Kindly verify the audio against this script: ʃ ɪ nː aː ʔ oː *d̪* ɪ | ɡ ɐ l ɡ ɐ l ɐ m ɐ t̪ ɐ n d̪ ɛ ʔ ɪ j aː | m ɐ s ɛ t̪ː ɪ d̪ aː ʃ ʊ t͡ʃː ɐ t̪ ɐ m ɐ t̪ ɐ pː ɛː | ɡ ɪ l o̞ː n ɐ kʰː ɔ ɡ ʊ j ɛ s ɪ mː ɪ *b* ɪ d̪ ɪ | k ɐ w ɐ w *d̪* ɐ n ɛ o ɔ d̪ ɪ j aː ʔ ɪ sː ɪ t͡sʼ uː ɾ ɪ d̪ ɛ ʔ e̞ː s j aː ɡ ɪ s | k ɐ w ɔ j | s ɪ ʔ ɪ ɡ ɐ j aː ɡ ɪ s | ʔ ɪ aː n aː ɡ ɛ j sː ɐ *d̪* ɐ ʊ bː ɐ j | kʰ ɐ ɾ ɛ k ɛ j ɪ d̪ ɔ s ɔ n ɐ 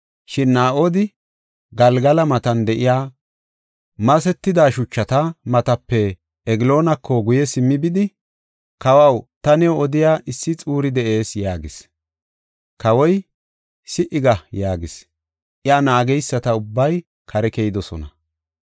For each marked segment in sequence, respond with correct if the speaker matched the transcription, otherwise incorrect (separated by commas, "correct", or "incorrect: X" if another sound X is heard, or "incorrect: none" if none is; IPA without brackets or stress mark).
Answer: correct, correct, incorrect: t̪, incorrect: t̪